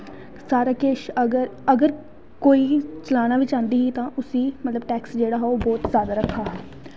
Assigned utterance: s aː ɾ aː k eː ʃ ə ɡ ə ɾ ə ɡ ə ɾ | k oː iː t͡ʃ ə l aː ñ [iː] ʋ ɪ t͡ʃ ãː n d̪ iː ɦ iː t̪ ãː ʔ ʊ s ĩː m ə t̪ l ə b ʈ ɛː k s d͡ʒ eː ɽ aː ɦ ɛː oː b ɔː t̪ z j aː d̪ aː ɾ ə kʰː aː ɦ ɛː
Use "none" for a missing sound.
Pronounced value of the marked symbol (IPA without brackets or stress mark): aː